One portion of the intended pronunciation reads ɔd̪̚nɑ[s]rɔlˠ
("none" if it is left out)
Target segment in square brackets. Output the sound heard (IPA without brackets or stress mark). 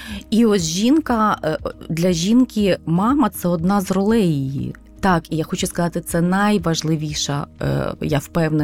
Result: z